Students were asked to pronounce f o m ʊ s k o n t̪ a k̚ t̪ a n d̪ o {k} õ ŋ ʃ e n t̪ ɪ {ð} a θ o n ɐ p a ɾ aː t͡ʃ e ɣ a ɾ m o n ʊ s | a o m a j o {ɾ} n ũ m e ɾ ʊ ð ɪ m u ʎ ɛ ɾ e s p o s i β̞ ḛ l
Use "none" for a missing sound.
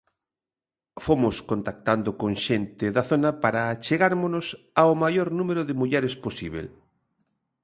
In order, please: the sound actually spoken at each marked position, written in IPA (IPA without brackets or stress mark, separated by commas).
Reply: k, ð, ɾ